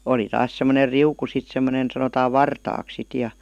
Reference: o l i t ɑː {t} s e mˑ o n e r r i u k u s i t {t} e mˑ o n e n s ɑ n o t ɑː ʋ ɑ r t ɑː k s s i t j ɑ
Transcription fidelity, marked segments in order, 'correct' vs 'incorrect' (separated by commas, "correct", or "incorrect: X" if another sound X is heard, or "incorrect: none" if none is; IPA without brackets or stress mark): incorrect: s, incorrect: s